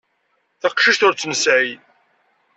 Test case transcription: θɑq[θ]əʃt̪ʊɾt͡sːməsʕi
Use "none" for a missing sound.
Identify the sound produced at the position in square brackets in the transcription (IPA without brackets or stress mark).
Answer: ʃ